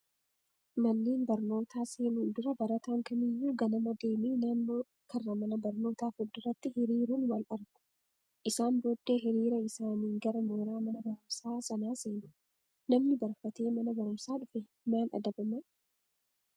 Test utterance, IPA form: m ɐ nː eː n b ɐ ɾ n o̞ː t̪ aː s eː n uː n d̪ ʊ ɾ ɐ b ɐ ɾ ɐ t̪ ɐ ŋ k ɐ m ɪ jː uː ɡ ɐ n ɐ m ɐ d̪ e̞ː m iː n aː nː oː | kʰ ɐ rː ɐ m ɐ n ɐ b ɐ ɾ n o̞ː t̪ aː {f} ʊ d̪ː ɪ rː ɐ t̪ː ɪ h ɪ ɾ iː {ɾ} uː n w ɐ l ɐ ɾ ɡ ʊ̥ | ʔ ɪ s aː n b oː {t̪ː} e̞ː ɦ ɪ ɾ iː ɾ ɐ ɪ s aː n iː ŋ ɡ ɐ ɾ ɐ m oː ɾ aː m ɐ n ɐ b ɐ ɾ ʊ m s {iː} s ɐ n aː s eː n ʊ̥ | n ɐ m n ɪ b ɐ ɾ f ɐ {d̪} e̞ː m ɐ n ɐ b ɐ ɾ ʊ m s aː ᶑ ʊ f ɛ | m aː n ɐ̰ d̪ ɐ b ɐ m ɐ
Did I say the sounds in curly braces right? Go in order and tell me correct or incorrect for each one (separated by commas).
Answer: correct, correct, incorrect, incorrect, incorrect